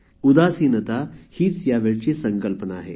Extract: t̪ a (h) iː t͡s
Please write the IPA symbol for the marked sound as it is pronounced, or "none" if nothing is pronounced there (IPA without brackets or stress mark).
h